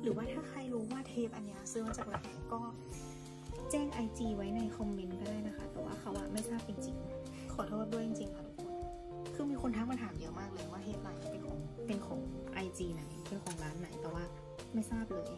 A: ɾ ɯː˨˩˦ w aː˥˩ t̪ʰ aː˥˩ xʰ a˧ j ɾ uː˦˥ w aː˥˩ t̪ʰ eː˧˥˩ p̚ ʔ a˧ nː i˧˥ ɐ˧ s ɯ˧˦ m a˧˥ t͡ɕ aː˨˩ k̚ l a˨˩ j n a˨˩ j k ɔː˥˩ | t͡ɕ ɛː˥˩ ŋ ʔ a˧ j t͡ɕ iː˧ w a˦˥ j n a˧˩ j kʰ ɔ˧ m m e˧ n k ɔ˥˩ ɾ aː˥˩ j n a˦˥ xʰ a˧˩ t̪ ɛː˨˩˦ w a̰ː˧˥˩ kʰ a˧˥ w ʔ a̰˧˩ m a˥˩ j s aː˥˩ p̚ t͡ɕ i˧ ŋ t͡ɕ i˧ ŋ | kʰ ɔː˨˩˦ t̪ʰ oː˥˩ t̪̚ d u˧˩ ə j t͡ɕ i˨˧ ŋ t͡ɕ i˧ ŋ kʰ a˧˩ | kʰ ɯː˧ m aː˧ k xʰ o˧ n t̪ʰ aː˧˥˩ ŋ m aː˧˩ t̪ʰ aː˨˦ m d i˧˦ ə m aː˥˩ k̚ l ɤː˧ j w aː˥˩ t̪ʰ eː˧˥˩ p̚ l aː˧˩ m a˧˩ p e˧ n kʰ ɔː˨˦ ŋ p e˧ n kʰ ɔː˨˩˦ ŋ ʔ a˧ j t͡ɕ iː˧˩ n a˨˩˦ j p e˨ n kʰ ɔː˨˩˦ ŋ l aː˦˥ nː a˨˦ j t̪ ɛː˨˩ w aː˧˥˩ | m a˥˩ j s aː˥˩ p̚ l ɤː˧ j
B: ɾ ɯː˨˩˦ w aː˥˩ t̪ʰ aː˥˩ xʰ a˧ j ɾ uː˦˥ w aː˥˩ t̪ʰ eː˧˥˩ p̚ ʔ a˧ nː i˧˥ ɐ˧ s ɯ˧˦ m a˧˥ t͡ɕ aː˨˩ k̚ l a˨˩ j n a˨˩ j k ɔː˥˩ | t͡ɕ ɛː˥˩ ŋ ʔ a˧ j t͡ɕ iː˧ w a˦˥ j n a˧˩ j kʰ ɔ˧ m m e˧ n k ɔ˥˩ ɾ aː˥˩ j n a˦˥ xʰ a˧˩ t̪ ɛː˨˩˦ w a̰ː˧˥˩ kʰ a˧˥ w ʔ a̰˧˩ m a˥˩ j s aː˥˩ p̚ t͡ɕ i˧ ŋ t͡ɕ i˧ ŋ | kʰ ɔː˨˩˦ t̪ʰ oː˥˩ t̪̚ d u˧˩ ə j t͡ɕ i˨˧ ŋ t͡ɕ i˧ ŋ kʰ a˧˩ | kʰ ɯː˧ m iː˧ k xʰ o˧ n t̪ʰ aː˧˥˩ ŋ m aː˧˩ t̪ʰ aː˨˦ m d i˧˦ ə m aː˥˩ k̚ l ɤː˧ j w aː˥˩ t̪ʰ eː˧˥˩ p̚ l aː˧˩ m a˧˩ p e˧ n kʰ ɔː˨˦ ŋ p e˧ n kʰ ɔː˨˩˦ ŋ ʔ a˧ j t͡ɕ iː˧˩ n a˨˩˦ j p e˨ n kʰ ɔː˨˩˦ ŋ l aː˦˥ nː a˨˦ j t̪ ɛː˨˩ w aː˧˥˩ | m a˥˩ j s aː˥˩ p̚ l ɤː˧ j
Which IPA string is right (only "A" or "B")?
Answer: B